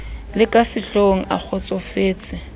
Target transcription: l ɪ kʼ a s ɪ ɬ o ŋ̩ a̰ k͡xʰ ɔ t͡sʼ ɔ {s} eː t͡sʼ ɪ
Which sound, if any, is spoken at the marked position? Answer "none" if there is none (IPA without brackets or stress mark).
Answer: f